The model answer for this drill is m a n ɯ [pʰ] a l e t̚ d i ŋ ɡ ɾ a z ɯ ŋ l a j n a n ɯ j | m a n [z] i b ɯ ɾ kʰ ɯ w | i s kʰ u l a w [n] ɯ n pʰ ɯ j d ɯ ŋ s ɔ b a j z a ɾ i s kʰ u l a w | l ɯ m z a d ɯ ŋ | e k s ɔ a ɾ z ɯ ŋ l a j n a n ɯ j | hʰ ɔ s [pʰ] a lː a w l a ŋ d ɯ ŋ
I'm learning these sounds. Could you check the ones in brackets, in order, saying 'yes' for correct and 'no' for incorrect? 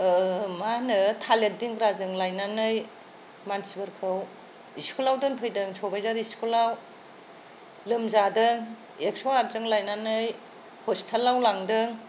no, no, no, no

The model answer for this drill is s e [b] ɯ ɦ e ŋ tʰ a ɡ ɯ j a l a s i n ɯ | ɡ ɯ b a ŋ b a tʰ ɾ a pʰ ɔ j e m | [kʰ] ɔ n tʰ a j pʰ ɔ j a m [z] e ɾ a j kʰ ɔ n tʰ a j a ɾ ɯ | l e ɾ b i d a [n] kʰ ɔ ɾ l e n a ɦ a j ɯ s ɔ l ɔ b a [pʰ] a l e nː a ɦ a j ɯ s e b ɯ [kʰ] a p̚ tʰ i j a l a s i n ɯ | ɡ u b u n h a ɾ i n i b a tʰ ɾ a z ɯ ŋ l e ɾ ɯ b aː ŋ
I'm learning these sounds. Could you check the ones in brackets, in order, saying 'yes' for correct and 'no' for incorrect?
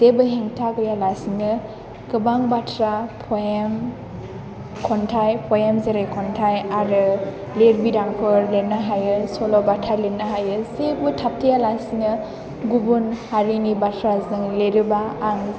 yes, yes, yes, no, no, no

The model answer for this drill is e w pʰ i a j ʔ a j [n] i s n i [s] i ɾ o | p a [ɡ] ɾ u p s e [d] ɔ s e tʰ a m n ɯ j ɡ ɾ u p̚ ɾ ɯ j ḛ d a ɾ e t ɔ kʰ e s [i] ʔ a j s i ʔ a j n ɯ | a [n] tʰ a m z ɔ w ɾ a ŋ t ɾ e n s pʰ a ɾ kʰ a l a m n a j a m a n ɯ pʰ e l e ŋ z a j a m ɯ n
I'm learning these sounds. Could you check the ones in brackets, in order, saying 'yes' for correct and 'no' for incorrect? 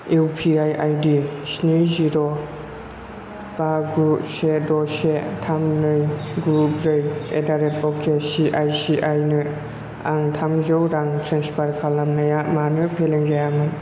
no, no, yes, yes, yes, no

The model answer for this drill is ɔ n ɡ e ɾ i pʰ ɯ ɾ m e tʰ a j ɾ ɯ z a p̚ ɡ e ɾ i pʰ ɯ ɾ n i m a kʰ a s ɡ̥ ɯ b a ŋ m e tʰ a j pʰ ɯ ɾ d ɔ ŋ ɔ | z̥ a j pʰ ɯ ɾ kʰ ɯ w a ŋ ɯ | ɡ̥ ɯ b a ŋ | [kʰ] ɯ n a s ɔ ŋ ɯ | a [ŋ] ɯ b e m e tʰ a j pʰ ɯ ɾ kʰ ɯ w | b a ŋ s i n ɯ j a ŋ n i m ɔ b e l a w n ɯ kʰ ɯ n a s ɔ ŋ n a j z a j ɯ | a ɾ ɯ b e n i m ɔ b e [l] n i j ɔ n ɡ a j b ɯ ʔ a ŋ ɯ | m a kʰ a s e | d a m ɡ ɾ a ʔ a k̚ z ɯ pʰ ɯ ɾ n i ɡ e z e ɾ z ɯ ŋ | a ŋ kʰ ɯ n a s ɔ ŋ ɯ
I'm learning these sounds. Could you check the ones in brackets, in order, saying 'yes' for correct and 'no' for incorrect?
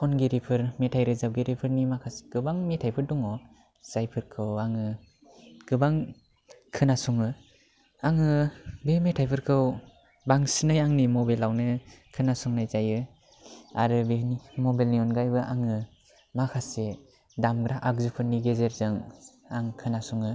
yes, yes, yes

